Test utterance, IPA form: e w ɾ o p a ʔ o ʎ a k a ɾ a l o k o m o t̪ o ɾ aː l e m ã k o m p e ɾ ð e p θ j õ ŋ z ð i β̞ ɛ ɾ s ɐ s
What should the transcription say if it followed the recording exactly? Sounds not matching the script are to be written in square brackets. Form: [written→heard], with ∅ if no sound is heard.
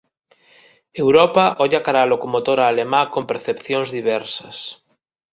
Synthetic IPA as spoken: e w ɾ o p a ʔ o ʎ a k a ɾ a l o k o m o t̪ o ɾ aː l e m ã k o m p e ɾ [ð→θ] e p θ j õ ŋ z ð i β̞ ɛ ɾ s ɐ s